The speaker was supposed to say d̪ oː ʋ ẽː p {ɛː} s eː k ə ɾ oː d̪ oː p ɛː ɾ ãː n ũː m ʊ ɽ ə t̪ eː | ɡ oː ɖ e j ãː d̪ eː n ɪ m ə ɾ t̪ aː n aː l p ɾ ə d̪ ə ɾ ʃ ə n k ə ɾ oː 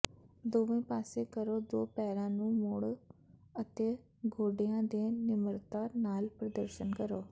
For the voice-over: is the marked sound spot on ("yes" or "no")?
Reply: no